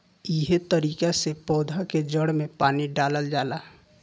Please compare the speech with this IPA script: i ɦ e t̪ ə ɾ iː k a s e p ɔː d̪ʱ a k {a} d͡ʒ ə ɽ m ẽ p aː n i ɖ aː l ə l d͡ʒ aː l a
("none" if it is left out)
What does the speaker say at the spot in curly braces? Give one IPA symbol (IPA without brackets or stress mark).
e